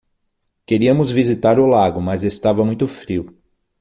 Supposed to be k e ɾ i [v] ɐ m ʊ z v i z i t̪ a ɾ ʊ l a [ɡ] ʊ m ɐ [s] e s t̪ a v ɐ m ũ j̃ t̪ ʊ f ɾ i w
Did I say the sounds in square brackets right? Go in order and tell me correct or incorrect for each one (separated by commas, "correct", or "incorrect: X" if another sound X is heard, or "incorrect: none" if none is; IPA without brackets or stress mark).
incorrect: none, correct, incorrect: z